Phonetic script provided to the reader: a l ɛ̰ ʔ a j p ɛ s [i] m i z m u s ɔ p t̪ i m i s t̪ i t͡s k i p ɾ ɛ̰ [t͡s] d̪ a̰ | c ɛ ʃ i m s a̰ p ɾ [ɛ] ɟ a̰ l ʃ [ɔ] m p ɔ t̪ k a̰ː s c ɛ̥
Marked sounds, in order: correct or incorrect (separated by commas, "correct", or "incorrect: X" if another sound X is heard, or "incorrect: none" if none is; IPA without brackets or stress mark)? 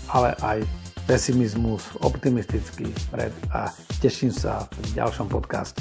correct, incorrect: none, incorrect: i, correct